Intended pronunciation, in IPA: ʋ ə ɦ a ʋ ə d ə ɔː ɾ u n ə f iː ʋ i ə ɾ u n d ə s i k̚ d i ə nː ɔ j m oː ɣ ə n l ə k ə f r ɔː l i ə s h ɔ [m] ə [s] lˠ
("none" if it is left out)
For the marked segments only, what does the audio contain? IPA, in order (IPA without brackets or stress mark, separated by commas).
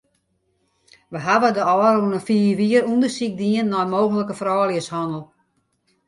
n, none